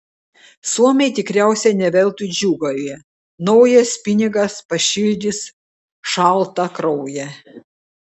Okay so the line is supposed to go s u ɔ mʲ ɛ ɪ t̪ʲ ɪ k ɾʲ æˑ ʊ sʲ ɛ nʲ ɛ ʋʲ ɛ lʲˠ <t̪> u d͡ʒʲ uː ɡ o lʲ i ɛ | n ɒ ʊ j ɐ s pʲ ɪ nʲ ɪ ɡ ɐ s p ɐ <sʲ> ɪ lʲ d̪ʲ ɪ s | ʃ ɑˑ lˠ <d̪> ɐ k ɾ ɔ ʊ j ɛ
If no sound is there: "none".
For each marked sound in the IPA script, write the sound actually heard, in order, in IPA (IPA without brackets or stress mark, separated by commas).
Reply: t̪, ʃʲ, t̪